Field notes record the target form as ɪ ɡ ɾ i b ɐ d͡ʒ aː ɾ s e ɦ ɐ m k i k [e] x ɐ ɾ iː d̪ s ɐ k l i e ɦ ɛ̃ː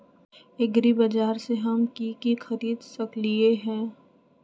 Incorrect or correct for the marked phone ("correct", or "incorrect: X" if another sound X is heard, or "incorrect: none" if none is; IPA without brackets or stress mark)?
incorrect: i